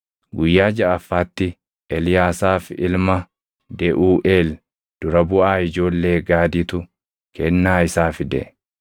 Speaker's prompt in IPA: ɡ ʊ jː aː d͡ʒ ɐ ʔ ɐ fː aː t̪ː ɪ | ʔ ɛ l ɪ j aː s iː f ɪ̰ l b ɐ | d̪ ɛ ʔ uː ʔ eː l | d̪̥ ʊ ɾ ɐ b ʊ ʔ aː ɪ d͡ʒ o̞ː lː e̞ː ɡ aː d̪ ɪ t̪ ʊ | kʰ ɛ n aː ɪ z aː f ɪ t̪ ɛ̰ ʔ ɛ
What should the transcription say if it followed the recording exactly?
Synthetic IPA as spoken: ɡ ʊ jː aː d͡ʒ ɐ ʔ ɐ fː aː t̪ː ɪ | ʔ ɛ l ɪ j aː s aː f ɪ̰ l m ɐ | d̪ ɛ ʔ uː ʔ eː l | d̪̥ ʊ ɾ ɐ b ʊ ʔ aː ɪ d͡ʒ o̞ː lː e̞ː ɡ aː d̪ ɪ t̪ ʊ | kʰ ɛ nː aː ɪ s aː f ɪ d̪ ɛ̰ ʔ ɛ